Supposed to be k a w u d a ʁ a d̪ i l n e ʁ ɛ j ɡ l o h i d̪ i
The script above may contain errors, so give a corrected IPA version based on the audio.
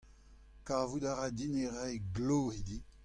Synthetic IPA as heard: k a v u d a ʁ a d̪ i n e ʁ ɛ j ɡ l o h i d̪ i